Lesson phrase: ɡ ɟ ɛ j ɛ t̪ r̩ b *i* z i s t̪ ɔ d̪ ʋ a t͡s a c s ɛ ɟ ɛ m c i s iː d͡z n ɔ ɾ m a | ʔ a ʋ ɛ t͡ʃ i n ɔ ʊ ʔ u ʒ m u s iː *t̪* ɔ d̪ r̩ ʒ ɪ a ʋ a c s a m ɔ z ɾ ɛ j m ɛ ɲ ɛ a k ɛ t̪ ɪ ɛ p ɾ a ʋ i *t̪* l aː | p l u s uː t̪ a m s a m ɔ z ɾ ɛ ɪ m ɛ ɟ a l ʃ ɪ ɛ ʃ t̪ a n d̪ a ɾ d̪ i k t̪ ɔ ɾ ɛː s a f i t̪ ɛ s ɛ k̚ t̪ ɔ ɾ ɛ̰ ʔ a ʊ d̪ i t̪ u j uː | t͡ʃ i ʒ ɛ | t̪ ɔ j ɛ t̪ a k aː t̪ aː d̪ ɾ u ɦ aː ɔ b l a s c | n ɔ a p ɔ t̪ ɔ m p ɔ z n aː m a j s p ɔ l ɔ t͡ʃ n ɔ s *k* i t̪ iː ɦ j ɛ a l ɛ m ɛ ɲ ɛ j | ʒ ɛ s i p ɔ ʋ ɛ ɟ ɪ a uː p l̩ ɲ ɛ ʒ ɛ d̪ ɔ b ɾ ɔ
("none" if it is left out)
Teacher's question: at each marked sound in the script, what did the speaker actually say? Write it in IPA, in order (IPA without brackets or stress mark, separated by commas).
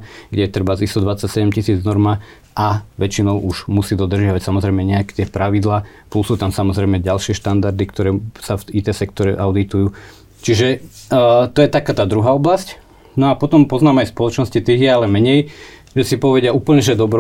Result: a, d̪, d̪, c